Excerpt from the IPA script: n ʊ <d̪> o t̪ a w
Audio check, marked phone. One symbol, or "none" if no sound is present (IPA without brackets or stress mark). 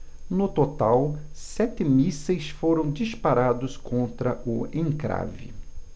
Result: t̪